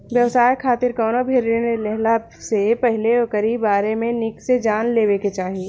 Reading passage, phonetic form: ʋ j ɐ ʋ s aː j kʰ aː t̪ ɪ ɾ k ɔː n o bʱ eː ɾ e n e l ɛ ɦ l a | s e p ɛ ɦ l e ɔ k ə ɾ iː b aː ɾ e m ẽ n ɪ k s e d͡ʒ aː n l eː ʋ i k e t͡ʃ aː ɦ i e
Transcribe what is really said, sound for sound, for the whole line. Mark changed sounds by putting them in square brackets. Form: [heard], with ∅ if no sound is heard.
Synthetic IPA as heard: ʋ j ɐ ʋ s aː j kʰ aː t̪ ɪ ɾ k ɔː n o bʱ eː ɾ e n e l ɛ ɦ l a | s e p ɛ ɦ l e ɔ k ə ɾ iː b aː ɾ e m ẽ n ɪ k s e d͡ʒ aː n l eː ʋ [e] k e t͡ʃ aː ɦ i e